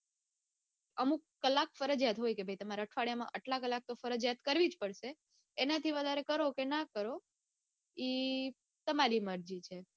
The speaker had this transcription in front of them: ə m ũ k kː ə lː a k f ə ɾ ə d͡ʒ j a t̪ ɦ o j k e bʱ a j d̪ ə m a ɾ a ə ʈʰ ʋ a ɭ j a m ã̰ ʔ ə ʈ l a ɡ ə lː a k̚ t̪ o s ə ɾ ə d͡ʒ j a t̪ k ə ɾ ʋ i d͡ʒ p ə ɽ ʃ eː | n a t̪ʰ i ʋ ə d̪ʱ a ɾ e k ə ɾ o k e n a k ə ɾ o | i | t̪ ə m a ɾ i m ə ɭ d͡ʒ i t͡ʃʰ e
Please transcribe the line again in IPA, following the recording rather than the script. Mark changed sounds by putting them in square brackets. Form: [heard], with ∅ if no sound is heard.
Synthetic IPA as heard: ə m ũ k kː ə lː a k f ə ɾ ə d͡ʒ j a t̪ ɦ o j k e bʱ a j [t̪] ə m a ɾ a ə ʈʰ ʋ a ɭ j a m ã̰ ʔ ə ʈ l a [k] ə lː a k̚ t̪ o [f] ə ɾ ə d͡ʒ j a t̪ k ə ɾ ʋ i d͡ʒ p ə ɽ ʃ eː | n a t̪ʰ i ʋ ə d̪ʱ a ɾ e k ə ɾ o k e n a k ə ɾ o | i | t̪ ə m a ɾ i m ə [ɾ] d͡ʒ i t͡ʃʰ e